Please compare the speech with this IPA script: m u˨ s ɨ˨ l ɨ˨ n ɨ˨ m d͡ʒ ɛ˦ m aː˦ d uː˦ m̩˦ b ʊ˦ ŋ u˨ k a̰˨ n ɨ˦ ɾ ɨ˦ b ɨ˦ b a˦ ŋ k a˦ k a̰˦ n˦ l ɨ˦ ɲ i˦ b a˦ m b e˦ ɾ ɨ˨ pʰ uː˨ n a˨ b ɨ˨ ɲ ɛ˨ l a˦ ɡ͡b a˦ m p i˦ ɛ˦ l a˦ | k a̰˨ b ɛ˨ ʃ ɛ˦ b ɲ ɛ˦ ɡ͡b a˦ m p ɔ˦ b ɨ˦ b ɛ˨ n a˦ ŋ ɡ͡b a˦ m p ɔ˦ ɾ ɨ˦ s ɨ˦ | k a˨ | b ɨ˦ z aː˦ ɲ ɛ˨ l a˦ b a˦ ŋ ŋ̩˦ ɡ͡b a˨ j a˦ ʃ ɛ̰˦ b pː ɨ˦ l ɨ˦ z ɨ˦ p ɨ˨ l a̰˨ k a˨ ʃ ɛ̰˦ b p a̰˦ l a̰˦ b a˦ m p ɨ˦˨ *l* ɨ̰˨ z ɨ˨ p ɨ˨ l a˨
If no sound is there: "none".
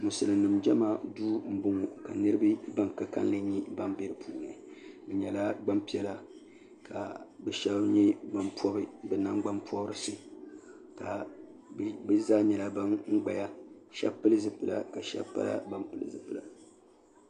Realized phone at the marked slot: l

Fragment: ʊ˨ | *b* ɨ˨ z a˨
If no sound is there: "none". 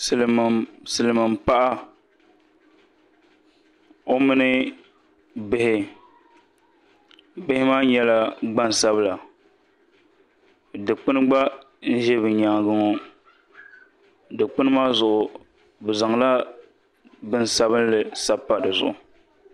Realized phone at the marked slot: b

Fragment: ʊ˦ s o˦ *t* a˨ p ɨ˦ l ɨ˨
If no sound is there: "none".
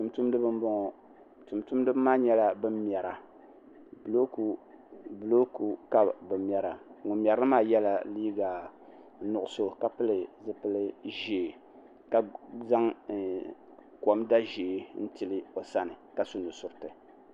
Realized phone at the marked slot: k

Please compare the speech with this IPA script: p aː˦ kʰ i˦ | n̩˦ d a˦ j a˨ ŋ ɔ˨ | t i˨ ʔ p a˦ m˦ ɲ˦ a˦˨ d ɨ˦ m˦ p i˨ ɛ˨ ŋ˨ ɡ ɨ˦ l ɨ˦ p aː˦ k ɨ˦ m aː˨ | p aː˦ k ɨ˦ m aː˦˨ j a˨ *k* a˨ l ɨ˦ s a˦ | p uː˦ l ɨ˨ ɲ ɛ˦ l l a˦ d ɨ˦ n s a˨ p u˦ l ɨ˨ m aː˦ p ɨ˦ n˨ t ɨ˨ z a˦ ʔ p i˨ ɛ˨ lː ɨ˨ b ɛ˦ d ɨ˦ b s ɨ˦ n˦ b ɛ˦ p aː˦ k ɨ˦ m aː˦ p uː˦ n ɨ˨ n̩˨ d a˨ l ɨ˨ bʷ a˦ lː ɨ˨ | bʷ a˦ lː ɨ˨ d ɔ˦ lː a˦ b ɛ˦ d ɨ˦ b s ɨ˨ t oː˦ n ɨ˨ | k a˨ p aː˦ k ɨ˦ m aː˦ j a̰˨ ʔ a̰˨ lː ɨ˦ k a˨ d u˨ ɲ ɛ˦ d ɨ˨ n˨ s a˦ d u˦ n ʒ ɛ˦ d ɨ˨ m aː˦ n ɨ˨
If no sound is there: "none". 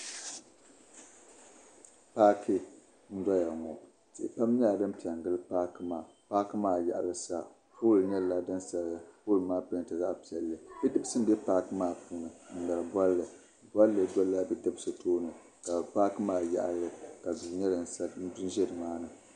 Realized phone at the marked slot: ʔ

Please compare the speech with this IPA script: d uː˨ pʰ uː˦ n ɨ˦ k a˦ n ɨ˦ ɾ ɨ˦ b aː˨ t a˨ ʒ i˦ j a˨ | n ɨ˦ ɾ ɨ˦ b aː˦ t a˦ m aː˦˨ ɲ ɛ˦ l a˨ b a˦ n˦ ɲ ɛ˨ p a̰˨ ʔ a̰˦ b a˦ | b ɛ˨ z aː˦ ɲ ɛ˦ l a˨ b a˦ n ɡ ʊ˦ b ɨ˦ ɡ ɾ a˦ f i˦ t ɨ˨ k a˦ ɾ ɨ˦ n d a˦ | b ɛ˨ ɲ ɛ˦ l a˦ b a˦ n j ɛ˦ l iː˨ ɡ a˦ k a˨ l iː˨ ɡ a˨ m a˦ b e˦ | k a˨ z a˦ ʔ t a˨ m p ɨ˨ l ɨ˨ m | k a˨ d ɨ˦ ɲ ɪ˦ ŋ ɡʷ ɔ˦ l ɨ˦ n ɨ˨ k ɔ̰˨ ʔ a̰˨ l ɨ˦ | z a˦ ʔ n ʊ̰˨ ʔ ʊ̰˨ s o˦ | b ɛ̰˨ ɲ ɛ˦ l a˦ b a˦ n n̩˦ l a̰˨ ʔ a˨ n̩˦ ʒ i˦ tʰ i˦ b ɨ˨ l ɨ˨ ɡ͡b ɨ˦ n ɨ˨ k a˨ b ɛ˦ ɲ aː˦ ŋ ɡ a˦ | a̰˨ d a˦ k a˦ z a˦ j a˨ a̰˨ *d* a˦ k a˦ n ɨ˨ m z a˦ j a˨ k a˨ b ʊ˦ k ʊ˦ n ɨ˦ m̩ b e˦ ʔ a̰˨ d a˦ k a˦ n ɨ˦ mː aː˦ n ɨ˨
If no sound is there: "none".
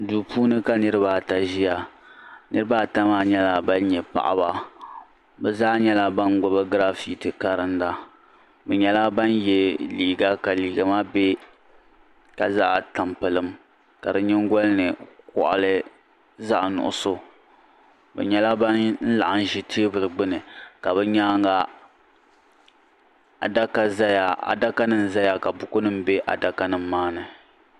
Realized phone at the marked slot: d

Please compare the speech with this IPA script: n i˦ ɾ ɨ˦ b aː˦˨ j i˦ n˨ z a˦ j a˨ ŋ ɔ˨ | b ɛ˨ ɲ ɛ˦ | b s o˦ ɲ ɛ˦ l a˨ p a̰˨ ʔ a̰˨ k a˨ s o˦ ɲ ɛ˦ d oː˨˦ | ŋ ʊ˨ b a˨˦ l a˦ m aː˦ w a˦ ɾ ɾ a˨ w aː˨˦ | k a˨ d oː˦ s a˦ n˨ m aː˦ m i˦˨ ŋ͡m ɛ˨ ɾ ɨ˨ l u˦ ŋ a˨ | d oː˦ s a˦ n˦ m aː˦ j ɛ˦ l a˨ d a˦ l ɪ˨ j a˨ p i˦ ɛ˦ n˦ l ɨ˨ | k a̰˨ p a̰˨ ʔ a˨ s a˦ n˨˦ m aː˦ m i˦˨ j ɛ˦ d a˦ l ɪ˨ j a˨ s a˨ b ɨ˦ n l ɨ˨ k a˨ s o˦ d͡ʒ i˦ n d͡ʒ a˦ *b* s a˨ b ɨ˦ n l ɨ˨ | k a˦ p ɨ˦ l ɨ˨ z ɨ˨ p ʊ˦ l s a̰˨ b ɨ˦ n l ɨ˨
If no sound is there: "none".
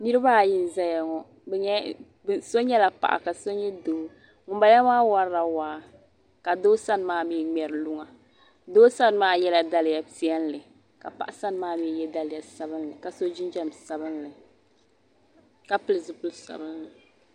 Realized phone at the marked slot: m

